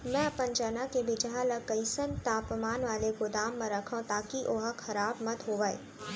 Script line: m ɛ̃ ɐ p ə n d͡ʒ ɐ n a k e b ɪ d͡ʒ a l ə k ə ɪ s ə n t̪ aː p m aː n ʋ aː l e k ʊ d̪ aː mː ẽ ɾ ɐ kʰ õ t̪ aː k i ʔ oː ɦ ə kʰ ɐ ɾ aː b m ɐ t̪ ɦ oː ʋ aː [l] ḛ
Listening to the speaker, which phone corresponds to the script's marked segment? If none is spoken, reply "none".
none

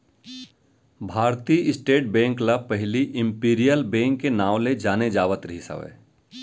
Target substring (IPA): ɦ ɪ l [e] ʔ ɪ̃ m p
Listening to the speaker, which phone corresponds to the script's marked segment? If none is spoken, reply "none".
i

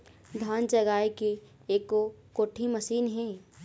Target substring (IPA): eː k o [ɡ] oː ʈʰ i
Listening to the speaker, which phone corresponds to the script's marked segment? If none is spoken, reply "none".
k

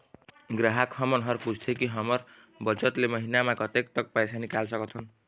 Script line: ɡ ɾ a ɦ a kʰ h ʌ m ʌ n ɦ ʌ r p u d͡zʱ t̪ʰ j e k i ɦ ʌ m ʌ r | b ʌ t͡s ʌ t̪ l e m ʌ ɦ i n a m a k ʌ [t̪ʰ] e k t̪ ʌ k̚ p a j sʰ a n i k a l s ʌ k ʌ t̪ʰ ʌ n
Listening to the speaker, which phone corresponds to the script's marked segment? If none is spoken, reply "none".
t̪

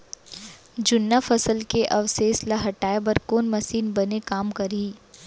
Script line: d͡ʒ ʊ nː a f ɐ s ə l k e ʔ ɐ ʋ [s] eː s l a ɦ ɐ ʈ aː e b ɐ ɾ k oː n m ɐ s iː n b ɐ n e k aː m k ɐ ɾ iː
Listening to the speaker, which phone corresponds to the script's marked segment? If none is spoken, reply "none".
s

